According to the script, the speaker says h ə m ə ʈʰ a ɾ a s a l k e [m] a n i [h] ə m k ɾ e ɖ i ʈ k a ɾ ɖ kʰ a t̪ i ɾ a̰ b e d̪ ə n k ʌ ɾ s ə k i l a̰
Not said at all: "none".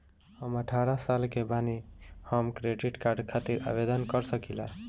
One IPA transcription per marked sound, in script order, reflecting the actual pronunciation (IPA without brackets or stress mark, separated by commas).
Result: b, h